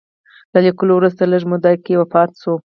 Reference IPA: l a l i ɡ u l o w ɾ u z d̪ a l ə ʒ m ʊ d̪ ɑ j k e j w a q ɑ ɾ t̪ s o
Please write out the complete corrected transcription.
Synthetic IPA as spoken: l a l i k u l o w ɾ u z t̪ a l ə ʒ m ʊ d̪ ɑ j k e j w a p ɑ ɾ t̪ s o